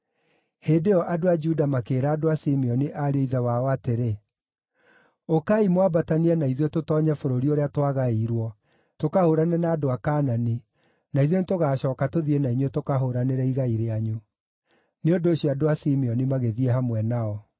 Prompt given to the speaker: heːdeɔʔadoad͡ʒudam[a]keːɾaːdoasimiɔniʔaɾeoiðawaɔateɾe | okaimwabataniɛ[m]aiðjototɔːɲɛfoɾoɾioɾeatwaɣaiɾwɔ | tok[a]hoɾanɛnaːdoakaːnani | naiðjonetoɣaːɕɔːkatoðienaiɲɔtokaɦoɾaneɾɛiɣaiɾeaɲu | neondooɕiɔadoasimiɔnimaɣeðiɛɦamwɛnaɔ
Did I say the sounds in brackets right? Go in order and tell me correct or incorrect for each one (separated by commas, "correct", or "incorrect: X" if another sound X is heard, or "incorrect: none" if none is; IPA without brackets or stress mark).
correct, incorrect: n, correct